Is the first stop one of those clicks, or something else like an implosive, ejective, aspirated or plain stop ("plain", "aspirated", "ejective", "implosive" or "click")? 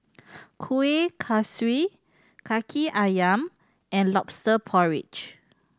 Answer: aspirated